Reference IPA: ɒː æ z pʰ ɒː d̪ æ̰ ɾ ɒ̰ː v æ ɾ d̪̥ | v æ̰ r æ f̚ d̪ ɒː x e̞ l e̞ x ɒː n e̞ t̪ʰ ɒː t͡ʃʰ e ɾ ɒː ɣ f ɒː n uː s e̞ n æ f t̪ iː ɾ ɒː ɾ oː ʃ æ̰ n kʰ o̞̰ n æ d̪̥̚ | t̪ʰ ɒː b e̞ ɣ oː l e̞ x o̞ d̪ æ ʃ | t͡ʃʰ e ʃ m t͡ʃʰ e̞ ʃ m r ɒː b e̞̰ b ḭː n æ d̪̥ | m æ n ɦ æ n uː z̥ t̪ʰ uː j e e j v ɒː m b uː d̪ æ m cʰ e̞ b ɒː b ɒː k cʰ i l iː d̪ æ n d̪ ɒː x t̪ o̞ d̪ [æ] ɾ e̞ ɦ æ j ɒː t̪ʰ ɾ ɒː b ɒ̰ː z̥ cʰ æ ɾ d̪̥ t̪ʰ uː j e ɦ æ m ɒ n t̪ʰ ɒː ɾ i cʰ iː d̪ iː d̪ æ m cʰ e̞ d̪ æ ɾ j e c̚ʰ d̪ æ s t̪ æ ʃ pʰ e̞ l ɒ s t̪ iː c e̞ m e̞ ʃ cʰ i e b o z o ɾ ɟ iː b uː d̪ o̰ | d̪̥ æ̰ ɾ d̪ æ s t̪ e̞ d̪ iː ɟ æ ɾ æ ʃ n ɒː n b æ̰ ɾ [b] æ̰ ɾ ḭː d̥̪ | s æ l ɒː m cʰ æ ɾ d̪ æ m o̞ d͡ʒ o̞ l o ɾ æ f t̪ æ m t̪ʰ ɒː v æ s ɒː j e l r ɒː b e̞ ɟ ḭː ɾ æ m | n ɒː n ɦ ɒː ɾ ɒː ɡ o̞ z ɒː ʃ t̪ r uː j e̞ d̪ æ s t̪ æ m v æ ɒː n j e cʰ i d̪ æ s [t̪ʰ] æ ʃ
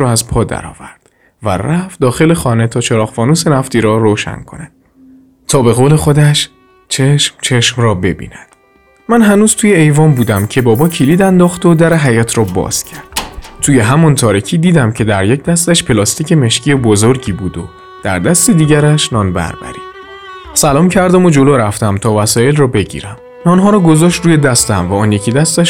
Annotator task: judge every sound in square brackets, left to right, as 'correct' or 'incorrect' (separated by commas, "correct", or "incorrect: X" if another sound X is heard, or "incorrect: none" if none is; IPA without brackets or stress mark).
correct, correct, incorrect: t̪